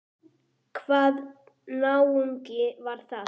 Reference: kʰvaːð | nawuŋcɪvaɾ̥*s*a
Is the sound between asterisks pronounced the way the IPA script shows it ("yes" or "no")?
no